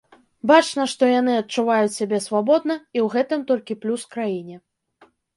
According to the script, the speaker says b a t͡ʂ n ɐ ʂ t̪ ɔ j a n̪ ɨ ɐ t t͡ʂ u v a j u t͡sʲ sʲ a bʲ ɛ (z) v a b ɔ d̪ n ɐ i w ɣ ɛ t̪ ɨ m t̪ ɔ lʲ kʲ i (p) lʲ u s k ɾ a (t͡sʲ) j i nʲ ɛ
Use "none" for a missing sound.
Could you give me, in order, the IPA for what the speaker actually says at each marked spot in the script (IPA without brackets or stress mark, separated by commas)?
s, p, none